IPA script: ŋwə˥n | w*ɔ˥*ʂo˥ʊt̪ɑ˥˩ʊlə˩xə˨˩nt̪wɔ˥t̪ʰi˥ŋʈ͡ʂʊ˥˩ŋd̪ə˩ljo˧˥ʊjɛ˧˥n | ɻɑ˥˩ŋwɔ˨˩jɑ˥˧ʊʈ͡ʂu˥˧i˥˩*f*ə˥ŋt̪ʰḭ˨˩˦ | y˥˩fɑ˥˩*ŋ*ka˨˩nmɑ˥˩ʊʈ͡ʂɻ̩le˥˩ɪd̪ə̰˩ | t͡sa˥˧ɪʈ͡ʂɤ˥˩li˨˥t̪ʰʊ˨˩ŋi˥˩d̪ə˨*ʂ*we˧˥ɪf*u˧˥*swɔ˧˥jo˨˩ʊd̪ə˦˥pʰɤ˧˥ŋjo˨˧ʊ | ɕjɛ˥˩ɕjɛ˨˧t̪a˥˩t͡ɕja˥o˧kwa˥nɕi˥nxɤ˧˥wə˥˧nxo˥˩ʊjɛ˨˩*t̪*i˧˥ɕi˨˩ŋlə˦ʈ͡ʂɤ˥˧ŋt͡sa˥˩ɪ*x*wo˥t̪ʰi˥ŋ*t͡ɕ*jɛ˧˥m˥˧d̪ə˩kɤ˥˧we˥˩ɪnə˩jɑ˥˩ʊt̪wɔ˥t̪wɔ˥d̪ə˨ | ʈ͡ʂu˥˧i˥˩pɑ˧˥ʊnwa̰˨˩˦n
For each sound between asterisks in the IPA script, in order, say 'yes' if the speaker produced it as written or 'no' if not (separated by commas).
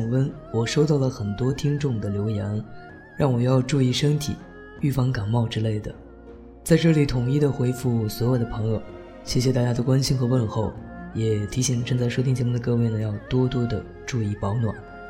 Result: no, no, yes, no, no, no, no, yes